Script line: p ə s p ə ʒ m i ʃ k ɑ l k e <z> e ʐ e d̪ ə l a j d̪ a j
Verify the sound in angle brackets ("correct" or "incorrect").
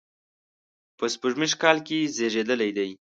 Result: correct